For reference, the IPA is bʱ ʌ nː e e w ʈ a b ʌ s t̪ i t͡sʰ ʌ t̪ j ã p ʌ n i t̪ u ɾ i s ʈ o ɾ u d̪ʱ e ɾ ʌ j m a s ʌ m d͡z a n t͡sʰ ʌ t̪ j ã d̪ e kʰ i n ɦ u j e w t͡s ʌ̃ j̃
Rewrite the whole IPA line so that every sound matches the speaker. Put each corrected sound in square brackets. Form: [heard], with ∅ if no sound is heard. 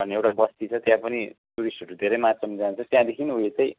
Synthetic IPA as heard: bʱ ʌ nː e e w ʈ a b ʌ s t̪ i t͡sʰ ʌ t̪ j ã p ʌ n i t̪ u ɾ i s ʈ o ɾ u d̪ʱ e ɾ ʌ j m a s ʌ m d͡z a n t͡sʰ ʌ t̪ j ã d̪ e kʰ i n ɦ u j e [∅] t͡s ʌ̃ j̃